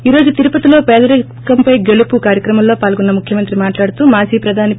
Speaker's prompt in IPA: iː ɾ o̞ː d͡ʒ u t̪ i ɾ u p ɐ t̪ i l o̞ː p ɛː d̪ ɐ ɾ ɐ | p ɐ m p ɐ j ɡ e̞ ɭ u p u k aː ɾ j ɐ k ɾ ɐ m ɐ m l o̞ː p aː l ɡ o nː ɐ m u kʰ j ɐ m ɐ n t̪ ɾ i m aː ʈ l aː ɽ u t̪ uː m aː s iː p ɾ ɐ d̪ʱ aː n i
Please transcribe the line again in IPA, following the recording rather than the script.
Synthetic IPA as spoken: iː ɾ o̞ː d͡ʒ u t̪ i ɾ u p ɐ t̪ i l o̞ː p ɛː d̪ ɐ ɾ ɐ | k ɐ m p ɐ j ɡ e̞ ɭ u p u k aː ɾ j ɐ k ɾ ɐ m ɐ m l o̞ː p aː l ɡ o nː ɐ m u kʰ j ɐ m ɐ n t̪ ɾ i m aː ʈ l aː ɽ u t̪ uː m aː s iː p ɾ ɐ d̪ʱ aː n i